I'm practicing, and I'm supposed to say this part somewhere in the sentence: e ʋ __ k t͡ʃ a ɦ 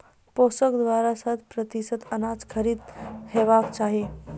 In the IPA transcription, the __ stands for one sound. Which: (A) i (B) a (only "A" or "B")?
B